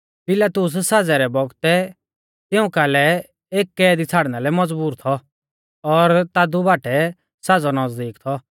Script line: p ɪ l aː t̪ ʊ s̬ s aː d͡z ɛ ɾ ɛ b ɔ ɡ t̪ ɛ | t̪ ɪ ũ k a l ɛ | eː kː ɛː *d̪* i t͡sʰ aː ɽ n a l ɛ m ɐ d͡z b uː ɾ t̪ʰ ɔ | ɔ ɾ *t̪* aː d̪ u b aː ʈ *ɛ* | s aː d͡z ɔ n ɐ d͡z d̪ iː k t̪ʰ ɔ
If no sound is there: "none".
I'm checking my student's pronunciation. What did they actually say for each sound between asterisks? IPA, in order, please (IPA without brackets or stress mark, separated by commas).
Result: d̪, t̪, ɛ